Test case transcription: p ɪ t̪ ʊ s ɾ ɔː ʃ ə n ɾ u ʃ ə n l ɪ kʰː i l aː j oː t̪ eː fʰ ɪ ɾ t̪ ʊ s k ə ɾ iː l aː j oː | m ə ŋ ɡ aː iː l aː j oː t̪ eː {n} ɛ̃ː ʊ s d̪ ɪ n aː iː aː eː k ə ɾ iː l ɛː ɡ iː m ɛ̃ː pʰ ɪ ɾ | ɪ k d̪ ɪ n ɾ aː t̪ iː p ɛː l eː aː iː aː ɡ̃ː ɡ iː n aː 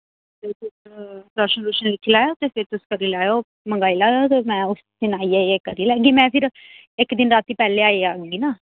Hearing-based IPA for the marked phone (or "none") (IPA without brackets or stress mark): m